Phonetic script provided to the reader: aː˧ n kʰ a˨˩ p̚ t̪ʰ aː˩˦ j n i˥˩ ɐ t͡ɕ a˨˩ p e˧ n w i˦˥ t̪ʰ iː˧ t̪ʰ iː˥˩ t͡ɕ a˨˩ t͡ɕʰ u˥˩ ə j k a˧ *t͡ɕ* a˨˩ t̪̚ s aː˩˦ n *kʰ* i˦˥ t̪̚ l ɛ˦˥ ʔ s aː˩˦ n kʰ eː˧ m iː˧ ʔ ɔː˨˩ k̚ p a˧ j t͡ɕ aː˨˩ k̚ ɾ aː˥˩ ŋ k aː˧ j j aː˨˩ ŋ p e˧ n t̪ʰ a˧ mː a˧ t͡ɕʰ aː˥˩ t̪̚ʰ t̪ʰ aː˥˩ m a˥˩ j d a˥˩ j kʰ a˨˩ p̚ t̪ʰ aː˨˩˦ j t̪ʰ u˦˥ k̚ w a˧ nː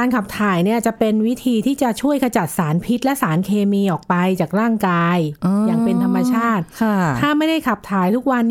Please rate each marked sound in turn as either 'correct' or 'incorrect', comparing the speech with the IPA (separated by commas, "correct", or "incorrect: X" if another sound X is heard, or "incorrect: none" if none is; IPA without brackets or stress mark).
correct, incorrect: pʰ